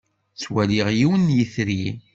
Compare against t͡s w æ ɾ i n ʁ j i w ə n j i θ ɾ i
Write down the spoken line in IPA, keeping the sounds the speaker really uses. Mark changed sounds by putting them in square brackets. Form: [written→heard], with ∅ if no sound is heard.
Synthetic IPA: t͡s w æ [ɾ→l] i [n→∅] ʁ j i w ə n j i θ ɾ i

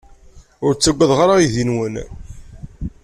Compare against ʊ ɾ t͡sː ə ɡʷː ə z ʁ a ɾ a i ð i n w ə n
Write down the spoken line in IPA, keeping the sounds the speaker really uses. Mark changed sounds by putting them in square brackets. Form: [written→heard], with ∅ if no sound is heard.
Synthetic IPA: ʊ ɾ t͡sː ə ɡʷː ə [z→ð] ʁ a ɾ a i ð i n w ə n

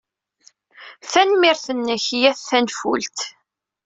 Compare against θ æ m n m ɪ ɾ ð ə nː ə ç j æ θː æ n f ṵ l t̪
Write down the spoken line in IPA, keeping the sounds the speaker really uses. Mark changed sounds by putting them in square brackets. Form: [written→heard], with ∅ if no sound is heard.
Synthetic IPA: θ æ [m→∅] n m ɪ ɾ [ð→θ] ə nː ə ç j æ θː æ n f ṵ l t̪

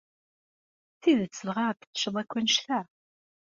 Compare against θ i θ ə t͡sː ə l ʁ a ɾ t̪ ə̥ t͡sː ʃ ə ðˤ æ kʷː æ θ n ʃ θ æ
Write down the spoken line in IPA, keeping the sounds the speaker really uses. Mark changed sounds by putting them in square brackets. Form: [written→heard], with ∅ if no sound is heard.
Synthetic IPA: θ i [θ→ð] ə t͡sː ə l ʁ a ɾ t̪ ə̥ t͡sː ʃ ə ðˤ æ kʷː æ [θ→∅] n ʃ θ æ

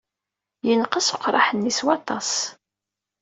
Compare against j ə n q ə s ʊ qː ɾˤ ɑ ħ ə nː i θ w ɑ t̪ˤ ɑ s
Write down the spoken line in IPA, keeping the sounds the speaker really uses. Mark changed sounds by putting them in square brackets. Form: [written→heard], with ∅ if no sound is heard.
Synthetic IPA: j ə n q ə s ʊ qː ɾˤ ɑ ħ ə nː i [θ→s] w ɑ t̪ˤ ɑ s

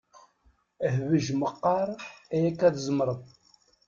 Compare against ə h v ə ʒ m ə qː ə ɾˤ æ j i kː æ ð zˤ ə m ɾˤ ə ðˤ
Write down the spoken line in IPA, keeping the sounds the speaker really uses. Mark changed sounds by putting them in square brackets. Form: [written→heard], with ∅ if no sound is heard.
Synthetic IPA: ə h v ə ʒ m ə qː [ə→ɑ] ɾˤ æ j [i→æ] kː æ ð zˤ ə m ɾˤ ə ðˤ

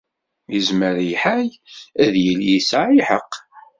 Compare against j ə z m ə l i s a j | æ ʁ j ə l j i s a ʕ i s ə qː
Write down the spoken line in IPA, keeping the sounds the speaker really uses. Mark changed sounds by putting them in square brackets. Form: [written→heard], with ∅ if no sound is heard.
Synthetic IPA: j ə z m ə [l→ɾ] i [s→ħ] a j | æ [ʁ→ð] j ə l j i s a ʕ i [s→ħ] ə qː

